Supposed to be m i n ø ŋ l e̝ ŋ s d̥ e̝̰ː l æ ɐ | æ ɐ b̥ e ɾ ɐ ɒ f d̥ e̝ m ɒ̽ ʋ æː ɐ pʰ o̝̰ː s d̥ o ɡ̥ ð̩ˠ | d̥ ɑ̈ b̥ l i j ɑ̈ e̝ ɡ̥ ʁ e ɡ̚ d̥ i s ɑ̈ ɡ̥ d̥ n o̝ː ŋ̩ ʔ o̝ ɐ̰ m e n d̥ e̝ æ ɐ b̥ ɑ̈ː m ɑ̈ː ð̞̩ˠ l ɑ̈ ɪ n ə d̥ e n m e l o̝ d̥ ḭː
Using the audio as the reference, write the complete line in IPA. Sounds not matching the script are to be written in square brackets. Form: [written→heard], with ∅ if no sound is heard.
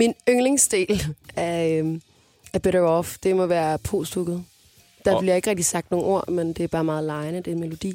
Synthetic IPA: m i n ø ŋ l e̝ ŋ s d̥ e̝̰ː l æ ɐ | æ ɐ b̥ e ɾ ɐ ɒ f d̥ e̝ m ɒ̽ ʋ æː ɐ pʰ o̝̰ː s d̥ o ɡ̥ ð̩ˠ | d̥ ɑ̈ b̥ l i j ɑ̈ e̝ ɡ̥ ʁ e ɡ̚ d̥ i s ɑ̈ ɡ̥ d̥ n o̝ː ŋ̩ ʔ o̝ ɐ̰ m e n d̥ e̝ æ ɐ b̥ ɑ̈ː m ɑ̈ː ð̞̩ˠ l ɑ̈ ɪ n ə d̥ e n m e l o̝ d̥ ḭː